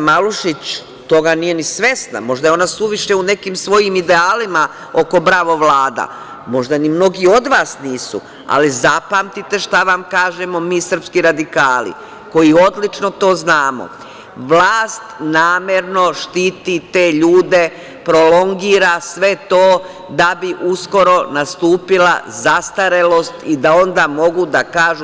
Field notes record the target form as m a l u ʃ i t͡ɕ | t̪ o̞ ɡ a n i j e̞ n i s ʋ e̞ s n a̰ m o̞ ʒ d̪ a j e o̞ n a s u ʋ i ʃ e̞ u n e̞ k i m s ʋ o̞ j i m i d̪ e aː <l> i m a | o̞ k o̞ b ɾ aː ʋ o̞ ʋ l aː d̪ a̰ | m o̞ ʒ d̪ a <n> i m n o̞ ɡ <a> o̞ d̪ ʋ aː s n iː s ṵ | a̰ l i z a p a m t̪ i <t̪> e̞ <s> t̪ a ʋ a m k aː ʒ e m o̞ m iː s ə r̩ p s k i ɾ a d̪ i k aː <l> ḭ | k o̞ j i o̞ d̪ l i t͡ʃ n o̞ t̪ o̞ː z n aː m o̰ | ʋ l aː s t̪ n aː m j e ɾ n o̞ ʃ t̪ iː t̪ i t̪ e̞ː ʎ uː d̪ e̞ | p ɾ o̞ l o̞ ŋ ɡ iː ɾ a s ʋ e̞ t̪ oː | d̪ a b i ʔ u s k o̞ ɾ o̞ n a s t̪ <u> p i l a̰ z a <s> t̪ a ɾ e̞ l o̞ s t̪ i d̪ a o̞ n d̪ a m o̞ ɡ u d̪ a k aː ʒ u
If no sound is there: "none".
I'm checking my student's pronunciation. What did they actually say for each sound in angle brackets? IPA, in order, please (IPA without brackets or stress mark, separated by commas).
l, n, i, t̪, ʃ, l, uː, s